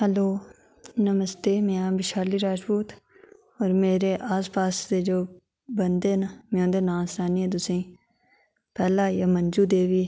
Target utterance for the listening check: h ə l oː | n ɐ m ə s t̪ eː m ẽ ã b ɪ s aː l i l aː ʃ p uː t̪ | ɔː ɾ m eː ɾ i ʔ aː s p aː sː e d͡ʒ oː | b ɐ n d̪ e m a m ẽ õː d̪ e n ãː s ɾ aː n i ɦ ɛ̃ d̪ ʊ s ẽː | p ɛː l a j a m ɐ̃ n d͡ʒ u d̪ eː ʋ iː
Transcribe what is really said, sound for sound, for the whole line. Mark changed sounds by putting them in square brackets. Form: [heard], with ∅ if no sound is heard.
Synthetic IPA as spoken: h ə l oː | n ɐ m ə s t̪ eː m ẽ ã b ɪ [ʃ] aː l i [ɾ] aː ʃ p uː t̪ | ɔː ɾ m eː ɾ [e] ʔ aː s p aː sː e d͡ʒ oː | b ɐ n d̪ e [n] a m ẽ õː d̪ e n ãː s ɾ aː n i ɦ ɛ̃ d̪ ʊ s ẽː | p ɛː l a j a m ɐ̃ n d͡ʒ u d̪ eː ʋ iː

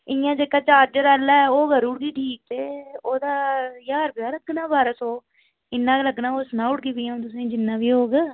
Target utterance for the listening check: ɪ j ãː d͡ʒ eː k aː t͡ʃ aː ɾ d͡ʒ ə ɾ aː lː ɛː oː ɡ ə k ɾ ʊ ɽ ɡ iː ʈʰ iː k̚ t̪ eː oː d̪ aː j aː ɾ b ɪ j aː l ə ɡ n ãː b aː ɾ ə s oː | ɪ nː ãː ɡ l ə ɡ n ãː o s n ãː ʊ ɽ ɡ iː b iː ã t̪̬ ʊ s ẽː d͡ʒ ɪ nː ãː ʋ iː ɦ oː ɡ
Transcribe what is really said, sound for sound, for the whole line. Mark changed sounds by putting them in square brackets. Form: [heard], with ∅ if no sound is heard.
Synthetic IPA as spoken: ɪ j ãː d͡ʒ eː k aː t͡ʃ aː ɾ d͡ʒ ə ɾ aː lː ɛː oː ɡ ə [∅] ɾ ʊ ɽ ɡ iː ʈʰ iː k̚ t̪ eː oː d̪ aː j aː ɾ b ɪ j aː l ə ɡ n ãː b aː ɾ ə s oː | ɪ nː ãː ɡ l ə ɡ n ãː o s n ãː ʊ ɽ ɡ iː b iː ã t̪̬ ʊ s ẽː d͡ʒ ɪ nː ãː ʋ iː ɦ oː ɡ

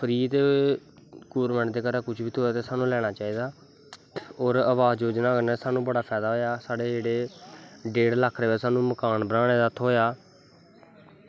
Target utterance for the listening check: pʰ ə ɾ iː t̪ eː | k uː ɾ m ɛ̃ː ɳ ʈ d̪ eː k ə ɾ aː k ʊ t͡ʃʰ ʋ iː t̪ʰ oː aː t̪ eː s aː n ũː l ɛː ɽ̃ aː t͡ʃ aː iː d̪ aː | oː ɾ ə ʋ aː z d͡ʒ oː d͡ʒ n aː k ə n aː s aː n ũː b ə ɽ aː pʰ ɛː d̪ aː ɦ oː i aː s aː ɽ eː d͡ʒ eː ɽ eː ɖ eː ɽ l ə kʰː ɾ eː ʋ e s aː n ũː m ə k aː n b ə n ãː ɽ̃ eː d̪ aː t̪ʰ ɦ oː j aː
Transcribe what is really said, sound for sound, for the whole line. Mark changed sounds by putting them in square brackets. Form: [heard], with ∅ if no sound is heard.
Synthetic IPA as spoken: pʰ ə ɾ iː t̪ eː | k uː ɾ m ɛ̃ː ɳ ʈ d̪ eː k ə ɾ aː k ʊ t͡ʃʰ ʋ iː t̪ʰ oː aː t̪ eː s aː n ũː l ɛː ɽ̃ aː t͡ʃ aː iː d̪ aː | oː ɾ ə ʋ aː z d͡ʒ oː d͡ʒ n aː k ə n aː s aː n ũː b ə ɽ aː pʰ ɛː d̪ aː ɦ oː [j] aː s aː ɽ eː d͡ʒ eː ɽ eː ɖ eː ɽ l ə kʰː ɾ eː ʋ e s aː n ũː m ə k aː n b ə n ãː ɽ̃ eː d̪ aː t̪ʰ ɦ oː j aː

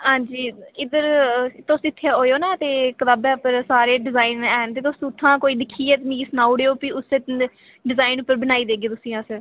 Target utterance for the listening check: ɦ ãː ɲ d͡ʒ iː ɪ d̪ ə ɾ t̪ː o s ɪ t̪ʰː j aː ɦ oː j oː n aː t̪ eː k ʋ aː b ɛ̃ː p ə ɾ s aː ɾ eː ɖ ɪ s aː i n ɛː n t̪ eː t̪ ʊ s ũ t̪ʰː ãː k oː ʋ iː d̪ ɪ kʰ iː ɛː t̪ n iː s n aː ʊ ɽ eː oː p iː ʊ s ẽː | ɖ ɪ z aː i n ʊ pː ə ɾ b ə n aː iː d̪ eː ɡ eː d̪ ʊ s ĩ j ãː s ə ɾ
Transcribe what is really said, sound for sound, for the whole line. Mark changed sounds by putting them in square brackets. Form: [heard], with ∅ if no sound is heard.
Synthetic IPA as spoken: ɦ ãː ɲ d͡ʒ iː ɪ d̪ ə ɾ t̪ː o s ɪ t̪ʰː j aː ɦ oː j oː n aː t̪ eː k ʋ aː b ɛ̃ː p ə ɾ s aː ɾ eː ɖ ɪ [z] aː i n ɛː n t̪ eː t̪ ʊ s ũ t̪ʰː ãː k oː [∅] iː d̪ ɪ kʰ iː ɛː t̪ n iː s n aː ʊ ɽ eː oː p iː ʊ s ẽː | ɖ ɪ z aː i n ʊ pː ə ɾ b ə n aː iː d̪ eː ɡ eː [t̪] ʊ s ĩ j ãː s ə ɾ

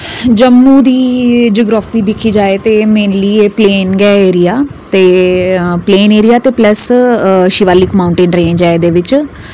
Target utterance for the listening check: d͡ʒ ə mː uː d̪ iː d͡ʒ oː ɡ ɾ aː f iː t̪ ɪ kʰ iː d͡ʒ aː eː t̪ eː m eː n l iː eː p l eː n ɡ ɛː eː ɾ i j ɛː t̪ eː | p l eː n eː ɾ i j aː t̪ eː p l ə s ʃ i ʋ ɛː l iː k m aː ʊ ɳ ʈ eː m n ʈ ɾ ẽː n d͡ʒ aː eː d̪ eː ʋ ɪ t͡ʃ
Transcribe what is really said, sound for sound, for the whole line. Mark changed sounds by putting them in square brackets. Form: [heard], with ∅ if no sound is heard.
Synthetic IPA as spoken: d͡ʒ ə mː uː d̪ iː d͡ʒ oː ɡ ɾ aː f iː [d̪] ɪ kʰ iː d͡ʒ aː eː t̪ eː m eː n l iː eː p l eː n ɡ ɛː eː ɾ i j [aː] t̪ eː | p l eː n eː ɾ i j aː t̪ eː p l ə s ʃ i ʋ [aː] l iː k m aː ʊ ɳ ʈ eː [∅] n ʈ ɾ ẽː n d͡ʒ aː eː d̪ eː ʋ ɪ t͡ʃ

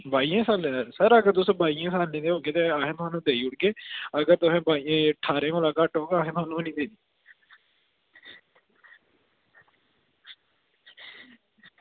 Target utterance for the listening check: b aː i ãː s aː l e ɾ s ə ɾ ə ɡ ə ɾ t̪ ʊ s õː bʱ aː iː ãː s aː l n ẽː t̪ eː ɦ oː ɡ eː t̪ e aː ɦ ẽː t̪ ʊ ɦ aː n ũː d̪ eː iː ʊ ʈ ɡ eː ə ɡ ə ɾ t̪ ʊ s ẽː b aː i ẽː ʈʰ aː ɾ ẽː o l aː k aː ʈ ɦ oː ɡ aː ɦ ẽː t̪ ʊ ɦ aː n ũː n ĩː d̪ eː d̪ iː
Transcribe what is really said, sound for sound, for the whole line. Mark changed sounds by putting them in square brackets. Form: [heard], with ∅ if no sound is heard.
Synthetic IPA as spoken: b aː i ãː s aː l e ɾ s ə ɾ ə ɡ ə ɾ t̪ ʊ s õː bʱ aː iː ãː s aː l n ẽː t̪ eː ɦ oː ɡ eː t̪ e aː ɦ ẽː t̪ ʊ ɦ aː n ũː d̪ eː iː ʊ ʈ ɡ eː ə ɡ ə ɾ t̪ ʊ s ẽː b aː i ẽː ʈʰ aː ɾ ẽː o l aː k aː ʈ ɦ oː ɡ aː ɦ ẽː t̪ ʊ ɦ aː n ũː n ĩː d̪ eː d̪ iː

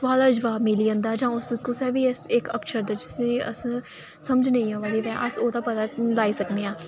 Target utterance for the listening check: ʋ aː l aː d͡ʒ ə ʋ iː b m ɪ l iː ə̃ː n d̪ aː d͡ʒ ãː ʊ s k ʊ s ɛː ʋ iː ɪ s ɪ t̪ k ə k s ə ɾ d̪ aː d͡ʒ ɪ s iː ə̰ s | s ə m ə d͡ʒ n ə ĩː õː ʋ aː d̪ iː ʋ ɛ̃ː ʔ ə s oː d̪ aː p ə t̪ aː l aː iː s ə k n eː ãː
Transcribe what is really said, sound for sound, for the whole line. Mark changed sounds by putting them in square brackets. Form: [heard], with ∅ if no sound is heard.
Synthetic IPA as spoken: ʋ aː l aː d͡ʒ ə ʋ [aː] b m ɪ l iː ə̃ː n d̪ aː d͡ʒ ãː ʊ s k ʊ s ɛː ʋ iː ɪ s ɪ [∅] k ə k [ʃ] ə ɾ d̪ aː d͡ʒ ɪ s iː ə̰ s | s ə m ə d͡ʒ n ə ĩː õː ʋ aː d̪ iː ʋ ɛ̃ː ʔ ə s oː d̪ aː p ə t̪ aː l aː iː s ə k n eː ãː

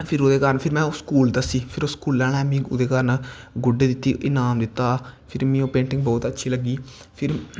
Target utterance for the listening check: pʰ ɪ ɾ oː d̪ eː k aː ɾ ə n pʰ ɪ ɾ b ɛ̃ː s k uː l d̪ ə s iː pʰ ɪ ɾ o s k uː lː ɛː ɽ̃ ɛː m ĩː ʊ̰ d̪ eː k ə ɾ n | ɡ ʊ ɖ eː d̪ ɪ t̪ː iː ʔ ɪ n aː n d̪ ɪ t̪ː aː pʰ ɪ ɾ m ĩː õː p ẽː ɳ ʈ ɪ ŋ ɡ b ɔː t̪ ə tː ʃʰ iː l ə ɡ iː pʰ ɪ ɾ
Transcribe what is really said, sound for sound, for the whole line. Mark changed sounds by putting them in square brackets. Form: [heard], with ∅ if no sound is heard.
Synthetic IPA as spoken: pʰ ɪ ɾ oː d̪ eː k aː ɾ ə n pʰ ɪ ɾ [m] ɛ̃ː s k uː l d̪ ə s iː pʰ ɪ ɾ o s k uː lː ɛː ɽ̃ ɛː m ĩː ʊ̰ d̪ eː k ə ɾ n | ɡ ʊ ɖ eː d̪ ɪ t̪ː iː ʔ ɪ n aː [m] d̪ ɪ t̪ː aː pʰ ɪ ɾ m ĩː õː p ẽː ɳ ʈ ɪ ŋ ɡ b ɔː t̪ ə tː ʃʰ iː l ə ɡ iː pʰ ɪ ɾ

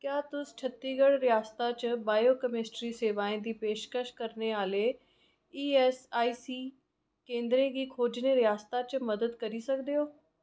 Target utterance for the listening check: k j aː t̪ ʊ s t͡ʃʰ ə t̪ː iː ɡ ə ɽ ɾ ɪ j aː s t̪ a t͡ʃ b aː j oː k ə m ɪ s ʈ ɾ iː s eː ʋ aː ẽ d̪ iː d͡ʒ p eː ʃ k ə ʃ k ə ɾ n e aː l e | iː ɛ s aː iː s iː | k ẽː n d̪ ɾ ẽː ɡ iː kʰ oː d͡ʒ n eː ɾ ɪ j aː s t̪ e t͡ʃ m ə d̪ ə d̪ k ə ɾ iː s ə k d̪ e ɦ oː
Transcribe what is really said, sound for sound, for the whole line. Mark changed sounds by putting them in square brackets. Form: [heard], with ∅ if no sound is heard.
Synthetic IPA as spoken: k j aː t̪ ʊ s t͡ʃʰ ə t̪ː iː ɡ ə ɽ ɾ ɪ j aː s t̪ a t͡ʃ b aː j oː k ə m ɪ s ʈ ɾ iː s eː ʋ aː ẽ d̪ iː [∅] p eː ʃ k ə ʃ k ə ɾ n e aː l e | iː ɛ s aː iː s iː | k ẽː n d̪ ɾ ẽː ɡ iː kʰ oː d͡ʒ n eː ɾ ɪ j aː s t̪ [a] t͡ʃ m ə d̪ ə d̪ k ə ɾ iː s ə k d̪ e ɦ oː

